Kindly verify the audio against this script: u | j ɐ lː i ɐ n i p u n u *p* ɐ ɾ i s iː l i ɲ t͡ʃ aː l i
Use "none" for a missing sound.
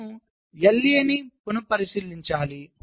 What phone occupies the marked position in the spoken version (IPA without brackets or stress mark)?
p